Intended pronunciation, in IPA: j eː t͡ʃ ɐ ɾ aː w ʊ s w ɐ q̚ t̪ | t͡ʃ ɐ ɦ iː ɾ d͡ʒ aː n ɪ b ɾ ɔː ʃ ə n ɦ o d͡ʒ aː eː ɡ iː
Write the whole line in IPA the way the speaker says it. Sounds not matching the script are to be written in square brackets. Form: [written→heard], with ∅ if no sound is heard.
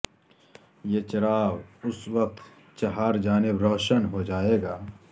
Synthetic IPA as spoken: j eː t͡ʃ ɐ ɾ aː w ʊ s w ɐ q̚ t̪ | t͡ʃ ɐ ɦ [iː→aː] ɾ d͡ʒ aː n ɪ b ɾ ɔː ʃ ə n ɦ o d͡ʒ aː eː ɡ [iː→aː]